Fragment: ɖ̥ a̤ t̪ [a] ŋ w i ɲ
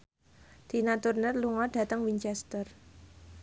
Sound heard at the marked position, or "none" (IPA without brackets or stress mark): ə